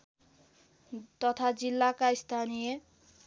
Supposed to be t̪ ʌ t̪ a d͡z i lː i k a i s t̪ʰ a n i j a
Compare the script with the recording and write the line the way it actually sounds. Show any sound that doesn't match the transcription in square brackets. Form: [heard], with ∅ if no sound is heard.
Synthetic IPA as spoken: t̪ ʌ [t̪ʰ] a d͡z i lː [a] k a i s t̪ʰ a n i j [e]